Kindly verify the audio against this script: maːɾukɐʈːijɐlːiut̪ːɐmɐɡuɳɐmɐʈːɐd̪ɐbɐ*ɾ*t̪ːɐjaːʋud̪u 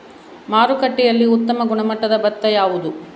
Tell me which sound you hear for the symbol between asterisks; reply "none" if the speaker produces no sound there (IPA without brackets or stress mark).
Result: none